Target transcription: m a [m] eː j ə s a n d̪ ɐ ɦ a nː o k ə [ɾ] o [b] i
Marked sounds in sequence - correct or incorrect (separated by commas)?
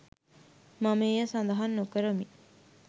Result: correct, correct, incorrect